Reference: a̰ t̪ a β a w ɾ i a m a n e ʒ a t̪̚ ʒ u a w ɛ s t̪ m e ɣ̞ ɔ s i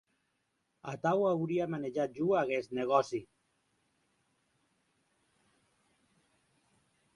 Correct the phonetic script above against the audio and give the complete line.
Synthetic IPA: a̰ t̪ a w a w ɾ i a m a n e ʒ a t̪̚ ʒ u a ɣ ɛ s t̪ n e ɣ̞ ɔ s i